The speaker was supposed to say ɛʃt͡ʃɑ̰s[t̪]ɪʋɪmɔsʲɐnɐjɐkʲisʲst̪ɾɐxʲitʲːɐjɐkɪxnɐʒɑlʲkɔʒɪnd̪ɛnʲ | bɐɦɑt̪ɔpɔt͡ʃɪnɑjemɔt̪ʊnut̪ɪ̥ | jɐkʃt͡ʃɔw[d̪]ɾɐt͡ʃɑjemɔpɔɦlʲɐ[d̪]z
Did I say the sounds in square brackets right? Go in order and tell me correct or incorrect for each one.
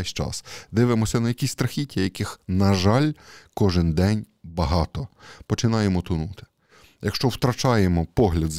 incorrect, incorrect, correct

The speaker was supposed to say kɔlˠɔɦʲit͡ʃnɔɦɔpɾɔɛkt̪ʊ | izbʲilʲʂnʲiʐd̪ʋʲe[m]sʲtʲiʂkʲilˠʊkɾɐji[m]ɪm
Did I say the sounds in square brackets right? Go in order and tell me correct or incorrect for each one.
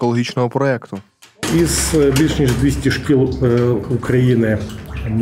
incorrect, incorrect

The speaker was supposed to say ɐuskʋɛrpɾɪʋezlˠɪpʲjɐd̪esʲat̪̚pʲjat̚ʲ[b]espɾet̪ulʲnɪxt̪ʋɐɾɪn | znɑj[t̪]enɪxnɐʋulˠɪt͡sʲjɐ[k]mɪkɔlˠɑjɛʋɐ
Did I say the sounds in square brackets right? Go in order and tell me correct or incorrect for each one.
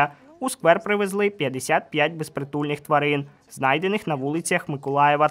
correct, incorrect, incorrect

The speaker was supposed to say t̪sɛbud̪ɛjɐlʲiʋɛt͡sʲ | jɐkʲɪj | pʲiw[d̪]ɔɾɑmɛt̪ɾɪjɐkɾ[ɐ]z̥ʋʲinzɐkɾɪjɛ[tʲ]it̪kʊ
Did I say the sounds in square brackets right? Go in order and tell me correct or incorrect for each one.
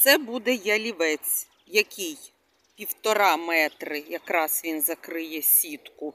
incorrect, incorrect, incorrect

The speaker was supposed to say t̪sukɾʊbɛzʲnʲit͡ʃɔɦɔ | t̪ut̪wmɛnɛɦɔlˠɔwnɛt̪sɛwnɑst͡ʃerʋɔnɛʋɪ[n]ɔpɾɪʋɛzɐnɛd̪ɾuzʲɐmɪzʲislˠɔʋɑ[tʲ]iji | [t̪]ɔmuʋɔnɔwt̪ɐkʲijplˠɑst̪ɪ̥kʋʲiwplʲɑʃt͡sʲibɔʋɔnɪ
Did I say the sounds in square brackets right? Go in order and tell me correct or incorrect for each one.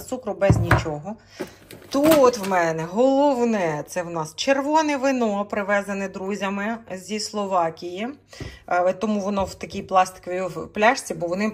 correct, incorrect, correct

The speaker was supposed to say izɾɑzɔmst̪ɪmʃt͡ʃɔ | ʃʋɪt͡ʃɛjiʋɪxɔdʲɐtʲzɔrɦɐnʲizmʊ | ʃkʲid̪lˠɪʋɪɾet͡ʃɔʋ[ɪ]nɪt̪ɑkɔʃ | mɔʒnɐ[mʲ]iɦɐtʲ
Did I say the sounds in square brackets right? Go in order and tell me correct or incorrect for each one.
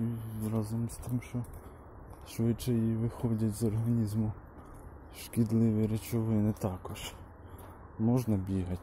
correct, incorrect

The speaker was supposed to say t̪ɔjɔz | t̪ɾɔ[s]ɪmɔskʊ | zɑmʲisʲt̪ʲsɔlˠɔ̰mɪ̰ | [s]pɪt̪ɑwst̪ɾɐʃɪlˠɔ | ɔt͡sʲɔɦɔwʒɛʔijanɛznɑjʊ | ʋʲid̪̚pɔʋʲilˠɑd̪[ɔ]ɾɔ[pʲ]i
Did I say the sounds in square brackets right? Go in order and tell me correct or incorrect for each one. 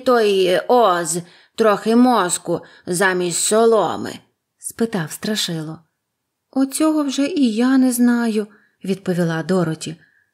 incorrect, correct, correct, incorrect

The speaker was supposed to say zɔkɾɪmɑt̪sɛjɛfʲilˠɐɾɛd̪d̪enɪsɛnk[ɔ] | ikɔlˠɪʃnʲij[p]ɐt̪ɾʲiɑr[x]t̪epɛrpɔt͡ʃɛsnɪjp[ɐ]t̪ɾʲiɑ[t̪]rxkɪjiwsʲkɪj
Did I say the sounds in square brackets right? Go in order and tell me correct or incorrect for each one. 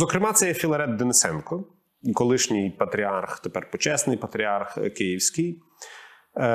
correct, correct, correct, correct, incorrect

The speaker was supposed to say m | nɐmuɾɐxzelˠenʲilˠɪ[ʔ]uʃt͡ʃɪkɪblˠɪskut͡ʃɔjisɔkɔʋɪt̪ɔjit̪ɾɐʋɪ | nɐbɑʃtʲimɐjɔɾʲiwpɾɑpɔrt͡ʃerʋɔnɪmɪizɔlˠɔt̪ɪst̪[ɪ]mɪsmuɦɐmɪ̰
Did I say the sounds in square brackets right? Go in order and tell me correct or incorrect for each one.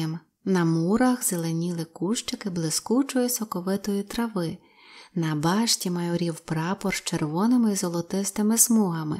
incorrect, correct

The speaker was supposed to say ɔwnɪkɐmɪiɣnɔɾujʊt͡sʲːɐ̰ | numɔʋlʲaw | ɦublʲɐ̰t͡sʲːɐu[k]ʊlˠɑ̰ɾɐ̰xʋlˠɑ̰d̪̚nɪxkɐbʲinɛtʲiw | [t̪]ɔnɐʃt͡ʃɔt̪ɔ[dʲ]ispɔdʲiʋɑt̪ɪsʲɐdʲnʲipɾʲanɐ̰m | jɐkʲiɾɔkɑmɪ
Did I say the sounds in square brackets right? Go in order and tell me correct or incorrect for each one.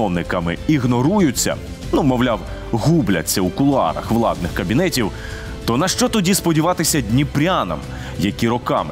correct, correct, correct

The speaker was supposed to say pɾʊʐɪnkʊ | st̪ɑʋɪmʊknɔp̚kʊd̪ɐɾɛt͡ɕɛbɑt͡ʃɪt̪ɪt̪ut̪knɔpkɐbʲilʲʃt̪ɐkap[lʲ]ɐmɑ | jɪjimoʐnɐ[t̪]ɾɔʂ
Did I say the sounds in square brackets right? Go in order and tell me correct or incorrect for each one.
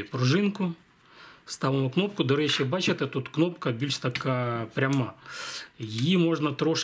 incorrect, correct

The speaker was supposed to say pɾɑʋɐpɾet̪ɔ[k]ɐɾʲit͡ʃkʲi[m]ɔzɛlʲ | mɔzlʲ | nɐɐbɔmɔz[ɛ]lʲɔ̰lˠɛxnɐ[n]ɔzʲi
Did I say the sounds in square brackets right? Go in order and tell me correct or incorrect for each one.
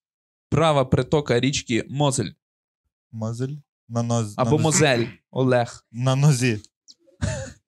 correct, correct, correct, correct

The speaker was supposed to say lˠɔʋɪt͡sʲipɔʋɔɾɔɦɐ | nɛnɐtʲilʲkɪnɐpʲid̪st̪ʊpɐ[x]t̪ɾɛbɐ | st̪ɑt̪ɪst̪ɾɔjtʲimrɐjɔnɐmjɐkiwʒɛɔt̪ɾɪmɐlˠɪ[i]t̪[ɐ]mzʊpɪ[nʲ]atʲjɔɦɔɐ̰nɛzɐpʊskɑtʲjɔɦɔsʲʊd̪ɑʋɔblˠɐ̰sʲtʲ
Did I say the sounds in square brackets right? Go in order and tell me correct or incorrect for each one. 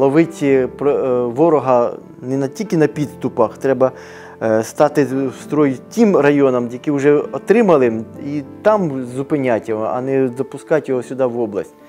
correct, correct, incorrect, correct

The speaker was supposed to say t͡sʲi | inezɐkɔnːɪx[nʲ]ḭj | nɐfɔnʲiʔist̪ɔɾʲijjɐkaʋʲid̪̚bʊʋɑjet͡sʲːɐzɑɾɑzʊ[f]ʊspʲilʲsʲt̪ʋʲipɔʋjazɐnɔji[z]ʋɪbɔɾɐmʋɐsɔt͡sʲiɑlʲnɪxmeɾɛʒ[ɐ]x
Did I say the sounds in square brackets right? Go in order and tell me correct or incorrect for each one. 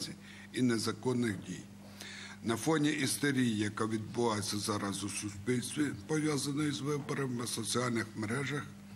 incorrect, incorrect, correct, correct

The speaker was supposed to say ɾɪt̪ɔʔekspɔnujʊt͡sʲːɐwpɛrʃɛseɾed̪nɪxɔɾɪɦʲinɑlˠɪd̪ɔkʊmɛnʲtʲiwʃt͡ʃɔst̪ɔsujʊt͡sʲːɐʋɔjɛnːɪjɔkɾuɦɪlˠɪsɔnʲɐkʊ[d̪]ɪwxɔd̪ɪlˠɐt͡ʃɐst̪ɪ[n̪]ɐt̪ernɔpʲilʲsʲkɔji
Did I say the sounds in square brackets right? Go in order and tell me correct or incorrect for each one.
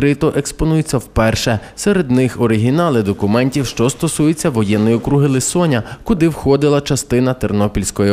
correct, correct

